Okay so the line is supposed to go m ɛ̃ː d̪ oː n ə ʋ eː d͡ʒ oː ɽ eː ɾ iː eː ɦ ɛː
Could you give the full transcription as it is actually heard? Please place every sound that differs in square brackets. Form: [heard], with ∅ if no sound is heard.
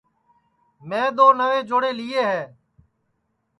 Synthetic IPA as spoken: m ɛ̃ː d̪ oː n ə ʋ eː d͡ʒ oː ɽ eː [l] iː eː ɦ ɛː